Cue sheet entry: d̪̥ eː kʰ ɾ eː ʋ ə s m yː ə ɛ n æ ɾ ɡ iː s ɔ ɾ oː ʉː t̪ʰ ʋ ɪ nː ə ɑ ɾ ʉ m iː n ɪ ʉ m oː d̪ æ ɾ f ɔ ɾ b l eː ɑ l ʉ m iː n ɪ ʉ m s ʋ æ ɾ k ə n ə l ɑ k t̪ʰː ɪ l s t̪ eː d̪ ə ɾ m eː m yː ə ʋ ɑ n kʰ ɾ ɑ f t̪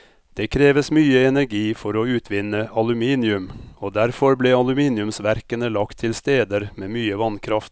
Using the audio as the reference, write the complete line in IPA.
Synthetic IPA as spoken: d̪̥ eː kʰ ɾ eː ʋ ə s m yː ə ɛ n æ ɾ ɡ iː f ɔ ɾ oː ʉː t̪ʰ ʋ ɪ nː ə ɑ l ʉ m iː n ɪ ʉ m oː d̪ æ ɾ f ɔ ɾ b l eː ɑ l ʉ m iː n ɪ ʉ m s ʋ æ ɾ k ə n ə l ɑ k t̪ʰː ɪ l s t̪ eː d̪ ə ɾ m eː m yː ə ʋ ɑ n kʰ ɾ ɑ f t̪

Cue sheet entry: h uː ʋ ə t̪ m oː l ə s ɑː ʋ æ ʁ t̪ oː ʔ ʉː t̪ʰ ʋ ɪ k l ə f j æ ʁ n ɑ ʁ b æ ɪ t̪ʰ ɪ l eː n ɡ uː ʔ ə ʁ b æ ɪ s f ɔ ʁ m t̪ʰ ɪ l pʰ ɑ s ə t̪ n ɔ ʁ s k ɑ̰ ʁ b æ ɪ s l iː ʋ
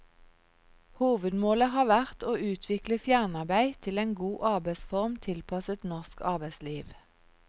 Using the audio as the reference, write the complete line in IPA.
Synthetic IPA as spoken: h uː ʋ ə d̪ m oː l ə h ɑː ʋ æ ʁ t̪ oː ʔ ʉː t̪ʰ ʋ ɪ k l ə f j æ ʁ n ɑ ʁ b æ ɪ t̪ʰ ɪ l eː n ɡ uː ʔ ɑ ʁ b æ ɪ s f ɔ ʁ m t̪ʰ ɪ l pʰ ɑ s ə t̪ n ɔ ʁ s k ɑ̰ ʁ b æ ɪ s l iː ʋ

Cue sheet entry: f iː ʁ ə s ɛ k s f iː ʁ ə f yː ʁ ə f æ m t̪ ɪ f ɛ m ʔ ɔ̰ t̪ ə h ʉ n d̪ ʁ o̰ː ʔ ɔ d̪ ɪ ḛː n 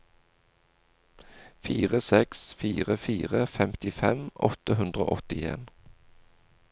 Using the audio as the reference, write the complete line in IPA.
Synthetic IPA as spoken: f iː ʁ ə s ɛ k s f iː ʁ ə f iː ʁ ə f ɛ m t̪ ɪ f ɛ m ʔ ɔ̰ t̪ ə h ʉ n d̪ ʁ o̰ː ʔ ɔ t̪ ɪ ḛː n

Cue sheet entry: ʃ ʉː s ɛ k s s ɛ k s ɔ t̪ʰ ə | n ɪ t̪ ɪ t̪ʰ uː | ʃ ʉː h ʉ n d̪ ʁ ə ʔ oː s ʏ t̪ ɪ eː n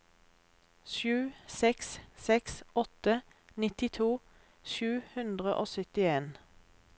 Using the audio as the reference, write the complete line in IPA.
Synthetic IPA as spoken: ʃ ʉː s ɛ k s s ɛ k s ɔ t̪ ə | n ɪ t̪ ɪ t̪ʰ uː | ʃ ʉː h ʉ n d̪ ʁ ə ʔ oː s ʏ t̪ ɪ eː n

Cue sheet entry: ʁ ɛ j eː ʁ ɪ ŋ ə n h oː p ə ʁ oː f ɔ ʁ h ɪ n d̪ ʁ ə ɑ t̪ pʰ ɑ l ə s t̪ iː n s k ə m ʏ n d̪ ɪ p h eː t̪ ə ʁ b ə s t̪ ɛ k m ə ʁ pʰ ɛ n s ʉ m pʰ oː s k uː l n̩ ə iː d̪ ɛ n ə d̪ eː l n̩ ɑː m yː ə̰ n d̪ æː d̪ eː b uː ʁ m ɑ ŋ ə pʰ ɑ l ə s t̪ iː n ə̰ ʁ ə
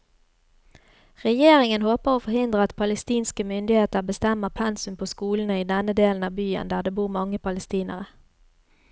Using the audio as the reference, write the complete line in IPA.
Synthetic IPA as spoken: ʁ ɛ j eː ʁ ɪ ŋ ə n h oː p ə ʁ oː f ɔ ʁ h ɪ n d̪ ʁ ə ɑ t̪ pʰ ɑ l ə s t̪ iː n s k ə m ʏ n d̪ ɪ h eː t̪ ə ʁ b ə s t̪ ɛ m ə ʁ pʰ ɛ n s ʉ m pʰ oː s k uː l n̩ ə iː d̪ ɛ n ə d̪ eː l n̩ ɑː b yː ə̰ n d̪ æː d̪ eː b uː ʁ m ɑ ŋ ə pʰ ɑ l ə s t̪ iː n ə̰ ʁ ə

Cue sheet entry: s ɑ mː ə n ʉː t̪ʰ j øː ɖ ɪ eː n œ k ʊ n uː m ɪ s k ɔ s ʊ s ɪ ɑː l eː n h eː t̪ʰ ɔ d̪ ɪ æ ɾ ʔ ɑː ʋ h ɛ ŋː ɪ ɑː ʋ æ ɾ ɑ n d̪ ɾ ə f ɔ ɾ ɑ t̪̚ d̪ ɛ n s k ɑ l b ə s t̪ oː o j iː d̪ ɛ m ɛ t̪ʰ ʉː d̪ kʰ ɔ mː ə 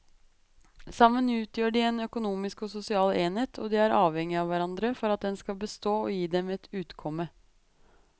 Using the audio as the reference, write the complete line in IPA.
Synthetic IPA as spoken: s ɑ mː ə n ʉː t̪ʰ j øː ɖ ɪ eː n œ k ʊ n uː m ɪ s k ɔ s ʊ s ɪ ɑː l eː n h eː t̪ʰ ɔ d̪ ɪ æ ɾ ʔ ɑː ʋ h ɛ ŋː ɪ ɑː ʋ æ ɾ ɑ n d̪ ɾ ə f ɔ ɾ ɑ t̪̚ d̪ ɛ n s k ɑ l b ə s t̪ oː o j iː d̪ ɛ m ɛ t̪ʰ ʉː t̪ kʰ ɔ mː ə

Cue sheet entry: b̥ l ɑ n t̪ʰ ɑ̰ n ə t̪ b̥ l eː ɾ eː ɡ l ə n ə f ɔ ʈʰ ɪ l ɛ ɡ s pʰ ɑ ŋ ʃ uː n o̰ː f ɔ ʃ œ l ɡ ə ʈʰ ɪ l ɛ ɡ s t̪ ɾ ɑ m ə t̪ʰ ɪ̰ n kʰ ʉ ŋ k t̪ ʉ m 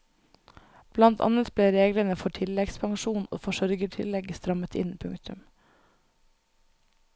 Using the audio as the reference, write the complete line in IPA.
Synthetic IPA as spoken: b̥ l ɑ n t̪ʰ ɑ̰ n ə t̪ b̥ l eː ɾ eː ɡ l ə n ə f ɔ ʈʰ ɪ l ɛ ɡ s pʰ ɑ ŋ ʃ uː n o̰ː f ɔ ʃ œ ɾ ɡ ə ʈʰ ɪ l ɛ ɡ s t̪ ɾ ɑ m ə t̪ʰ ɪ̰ n pʰ ʉ ŋ k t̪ ʉ m

